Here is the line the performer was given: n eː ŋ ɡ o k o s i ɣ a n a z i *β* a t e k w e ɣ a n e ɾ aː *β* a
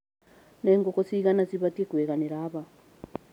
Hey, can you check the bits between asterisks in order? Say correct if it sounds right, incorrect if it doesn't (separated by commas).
correct, correct